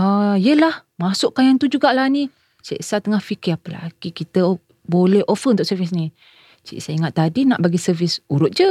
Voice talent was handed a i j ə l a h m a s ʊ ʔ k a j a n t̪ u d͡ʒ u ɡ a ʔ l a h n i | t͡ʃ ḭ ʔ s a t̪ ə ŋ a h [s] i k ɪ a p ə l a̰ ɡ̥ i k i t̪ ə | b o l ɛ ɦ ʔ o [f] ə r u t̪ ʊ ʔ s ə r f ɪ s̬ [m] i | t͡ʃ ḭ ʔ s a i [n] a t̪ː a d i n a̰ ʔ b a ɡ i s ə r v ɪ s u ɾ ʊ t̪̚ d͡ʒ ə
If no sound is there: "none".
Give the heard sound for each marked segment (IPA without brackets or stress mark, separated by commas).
f, f, n, ŋ